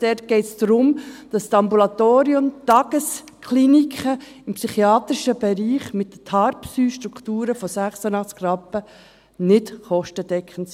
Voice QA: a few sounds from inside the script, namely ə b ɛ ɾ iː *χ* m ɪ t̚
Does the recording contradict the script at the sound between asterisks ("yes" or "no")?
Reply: no